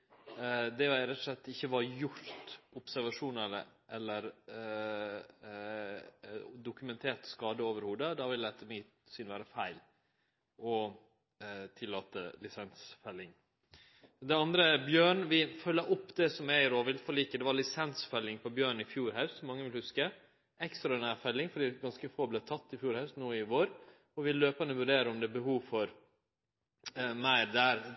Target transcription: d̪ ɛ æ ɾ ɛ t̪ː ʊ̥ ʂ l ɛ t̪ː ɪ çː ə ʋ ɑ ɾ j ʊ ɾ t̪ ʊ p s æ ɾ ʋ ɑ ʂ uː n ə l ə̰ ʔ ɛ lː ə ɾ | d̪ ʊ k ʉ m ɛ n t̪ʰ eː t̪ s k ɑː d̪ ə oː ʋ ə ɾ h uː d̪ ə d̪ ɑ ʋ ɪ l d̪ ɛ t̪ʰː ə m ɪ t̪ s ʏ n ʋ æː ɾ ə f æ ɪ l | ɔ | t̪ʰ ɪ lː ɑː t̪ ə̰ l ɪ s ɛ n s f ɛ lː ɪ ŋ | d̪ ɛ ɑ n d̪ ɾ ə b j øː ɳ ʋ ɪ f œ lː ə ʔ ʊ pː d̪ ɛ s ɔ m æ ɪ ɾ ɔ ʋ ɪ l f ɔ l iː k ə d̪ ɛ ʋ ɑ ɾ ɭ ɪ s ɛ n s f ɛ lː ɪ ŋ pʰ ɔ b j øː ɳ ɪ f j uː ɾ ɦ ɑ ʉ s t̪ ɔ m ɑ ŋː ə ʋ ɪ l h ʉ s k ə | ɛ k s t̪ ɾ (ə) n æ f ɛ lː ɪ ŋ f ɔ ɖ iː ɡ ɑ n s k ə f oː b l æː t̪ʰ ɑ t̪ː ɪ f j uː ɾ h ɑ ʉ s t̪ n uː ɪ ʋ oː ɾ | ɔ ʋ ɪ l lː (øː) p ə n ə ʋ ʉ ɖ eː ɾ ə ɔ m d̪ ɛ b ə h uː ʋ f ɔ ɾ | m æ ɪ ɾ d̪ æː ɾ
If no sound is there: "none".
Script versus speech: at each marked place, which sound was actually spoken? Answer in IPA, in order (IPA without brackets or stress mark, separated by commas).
ɑ, øː